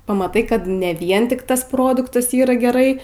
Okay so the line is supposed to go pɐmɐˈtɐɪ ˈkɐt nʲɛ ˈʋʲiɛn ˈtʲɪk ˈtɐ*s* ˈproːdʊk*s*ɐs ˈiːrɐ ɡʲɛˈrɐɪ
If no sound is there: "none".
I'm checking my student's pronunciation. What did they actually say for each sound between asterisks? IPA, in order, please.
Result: s, t

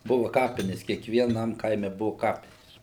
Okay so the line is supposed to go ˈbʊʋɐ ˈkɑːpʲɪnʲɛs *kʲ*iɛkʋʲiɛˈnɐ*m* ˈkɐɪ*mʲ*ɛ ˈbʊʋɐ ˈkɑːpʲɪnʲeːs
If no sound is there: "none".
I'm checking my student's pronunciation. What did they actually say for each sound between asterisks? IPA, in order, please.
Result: kʲ, m, mʲ

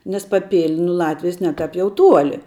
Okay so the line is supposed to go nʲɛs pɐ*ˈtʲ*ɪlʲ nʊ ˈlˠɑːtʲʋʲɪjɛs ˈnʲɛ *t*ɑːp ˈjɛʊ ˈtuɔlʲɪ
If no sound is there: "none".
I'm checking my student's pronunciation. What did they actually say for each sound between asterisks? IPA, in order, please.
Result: pʲ, t

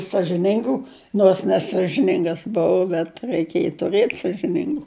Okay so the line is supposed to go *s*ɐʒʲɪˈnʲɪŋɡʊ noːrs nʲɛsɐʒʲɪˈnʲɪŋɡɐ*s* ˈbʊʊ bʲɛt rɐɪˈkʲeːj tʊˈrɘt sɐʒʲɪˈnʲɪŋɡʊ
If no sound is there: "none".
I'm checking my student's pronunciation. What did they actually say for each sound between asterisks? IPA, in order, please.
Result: s, s

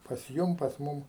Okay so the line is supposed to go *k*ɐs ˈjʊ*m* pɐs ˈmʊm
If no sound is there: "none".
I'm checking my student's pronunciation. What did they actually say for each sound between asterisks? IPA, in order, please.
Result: p, m

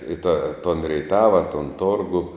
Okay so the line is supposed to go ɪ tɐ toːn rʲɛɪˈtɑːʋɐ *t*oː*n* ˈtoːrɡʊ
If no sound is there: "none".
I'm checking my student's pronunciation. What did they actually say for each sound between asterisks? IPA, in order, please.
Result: t, n

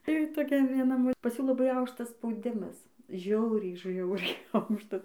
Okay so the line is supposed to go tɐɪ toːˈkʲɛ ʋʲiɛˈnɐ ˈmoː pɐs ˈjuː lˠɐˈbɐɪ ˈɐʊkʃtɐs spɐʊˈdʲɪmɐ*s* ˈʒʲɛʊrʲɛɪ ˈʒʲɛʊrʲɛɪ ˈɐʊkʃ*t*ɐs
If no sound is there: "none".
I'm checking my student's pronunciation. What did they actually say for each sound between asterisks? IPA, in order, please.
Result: s, t

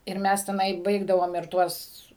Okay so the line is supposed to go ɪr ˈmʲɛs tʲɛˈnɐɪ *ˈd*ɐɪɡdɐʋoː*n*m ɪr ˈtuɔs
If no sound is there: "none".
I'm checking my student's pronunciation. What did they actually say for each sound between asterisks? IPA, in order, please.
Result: b, none

